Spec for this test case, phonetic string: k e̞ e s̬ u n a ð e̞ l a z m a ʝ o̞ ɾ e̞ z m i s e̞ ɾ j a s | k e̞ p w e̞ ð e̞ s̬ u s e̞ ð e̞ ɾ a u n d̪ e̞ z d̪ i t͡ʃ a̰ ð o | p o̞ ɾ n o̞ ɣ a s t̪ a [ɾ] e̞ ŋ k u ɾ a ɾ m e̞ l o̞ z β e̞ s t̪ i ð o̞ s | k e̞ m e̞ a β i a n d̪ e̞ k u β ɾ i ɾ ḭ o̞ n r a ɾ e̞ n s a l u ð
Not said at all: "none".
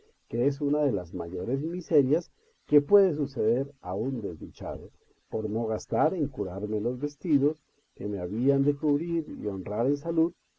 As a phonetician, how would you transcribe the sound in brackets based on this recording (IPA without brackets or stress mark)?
ɾ